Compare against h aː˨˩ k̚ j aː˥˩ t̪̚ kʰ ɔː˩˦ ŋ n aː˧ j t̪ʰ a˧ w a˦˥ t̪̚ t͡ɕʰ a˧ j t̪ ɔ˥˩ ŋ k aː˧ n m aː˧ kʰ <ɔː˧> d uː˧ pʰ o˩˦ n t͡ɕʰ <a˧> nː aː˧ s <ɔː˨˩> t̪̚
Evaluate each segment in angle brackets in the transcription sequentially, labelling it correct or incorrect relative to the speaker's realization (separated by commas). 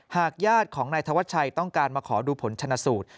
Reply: incorrect, correct, incorrect